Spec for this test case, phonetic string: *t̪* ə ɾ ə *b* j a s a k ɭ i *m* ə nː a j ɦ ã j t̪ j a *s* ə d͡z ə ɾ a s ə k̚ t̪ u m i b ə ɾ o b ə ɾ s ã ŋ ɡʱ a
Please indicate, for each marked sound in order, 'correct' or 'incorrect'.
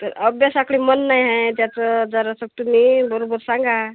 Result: correct, correct, correct, incorrect

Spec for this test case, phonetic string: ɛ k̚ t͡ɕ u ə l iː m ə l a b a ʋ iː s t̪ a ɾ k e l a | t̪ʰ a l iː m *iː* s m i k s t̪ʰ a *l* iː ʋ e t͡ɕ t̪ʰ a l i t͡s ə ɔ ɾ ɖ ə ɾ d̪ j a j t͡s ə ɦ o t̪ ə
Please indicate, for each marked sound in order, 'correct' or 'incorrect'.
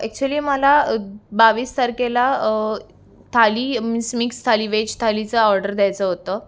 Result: incorrect, correct

